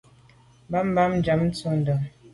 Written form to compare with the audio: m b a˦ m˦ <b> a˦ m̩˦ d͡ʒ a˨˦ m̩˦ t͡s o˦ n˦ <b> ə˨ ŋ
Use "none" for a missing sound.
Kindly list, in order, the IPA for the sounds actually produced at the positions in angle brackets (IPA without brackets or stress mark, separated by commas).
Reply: b, d